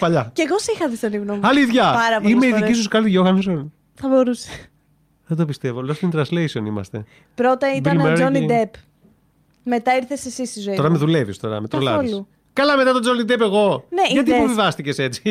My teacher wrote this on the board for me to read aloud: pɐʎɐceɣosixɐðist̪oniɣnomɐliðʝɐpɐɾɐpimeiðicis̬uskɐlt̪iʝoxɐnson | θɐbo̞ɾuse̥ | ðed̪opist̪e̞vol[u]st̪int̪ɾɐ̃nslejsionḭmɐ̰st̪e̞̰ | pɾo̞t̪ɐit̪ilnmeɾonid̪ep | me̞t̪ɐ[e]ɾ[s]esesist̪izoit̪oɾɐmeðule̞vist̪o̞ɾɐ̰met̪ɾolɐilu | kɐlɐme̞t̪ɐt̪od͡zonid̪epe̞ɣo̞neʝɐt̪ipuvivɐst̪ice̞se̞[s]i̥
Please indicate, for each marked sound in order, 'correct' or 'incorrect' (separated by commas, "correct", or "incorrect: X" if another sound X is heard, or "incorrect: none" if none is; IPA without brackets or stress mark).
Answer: incorrect: o, incorrect: i, incorrect: θ, incorrect: t͡s